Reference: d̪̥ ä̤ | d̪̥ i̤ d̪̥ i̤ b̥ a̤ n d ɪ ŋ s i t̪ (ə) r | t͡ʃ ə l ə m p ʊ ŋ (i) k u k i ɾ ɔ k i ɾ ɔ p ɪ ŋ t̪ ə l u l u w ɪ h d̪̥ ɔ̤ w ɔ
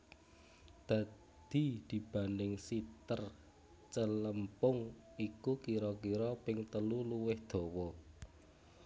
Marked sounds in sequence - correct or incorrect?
correct, correct

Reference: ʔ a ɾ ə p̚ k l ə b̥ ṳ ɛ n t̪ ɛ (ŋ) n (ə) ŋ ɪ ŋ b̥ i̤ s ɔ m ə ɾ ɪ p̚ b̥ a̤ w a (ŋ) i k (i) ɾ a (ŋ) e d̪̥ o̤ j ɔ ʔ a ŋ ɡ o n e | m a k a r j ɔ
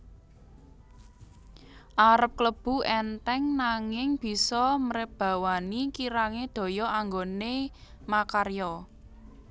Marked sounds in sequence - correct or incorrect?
correct, incorrect: a, incorrect: n, correct, correct

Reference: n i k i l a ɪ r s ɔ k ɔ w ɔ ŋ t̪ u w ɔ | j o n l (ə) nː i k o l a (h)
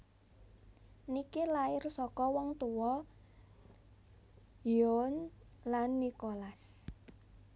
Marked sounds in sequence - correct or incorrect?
incorrect: a, incorrect: s

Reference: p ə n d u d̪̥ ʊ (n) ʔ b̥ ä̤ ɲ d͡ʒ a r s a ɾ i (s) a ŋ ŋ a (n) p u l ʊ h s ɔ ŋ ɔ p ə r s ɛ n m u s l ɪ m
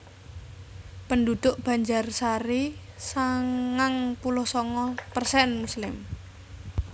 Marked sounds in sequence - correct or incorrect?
incorrect: none, correct, incorrect: ŋ

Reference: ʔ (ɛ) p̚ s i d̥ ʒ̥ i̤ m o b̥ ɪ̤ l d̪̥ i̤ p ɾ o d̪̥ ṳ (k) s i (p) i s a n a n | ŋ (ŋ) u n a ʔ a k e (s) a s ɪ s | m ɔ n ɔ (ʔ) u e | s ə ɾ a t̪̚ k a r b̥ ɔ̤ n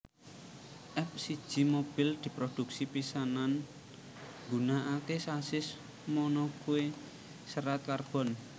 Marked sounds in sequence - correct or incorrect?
correct, correct, correct, incorrect: ɡ, correct, incorrect: k

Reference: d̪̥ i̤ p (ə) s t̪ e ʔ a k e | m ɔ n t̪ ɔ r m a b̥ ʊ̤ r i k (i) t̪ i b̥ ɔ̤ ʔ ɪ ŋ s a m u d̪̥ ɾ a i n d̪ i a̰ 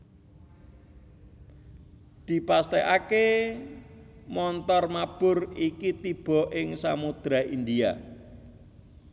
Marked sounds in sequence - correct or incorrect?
incorrect: a, correct

